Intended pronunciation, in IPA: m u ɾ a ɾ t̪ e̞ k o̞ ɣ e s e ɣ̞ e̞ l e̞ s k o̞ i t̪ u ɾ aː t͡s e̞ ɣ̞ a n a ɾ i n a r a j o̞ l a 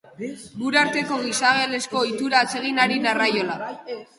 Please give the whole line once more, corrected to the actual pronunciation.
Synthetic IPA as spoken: m u ɾ a ɾ t̪ e̞ k o̞ ɣ i s a ɣ̞ e̞ l e̞ s k o̞ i t̪ u ɾ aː t͡s e̞ ɣ̞ i n a ɾ i n a r a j o̞ l a